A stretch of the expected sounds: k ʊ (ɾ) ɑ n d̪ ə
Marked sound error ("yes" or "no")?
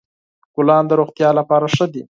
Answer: yes